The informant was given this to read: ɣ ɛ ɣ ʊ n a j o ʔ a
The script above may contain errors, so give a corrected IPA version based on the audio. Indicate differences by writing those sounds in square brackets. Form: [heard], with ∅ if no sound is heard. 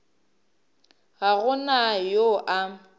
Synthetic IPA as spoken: ɣ [a] ɣ ʊ n a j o ʔ a